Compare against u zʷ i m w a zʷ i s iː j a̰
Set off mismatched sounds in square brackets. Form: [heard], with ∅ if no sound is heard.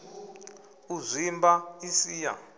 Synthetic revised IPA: u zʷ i m [b] a [∅] i s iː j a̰